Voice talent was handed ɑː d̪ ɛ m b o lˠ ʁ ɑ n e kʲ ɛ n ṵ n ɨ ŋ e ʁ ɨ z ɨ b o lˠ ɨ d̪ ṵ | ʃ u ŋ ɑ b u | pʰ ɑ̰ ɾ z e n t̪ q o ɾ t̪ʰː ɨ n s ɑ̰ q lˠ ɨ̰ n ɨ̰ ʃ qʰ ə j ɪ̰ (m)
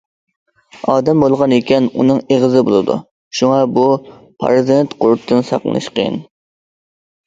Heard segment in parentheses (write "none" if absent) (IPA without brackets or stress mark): n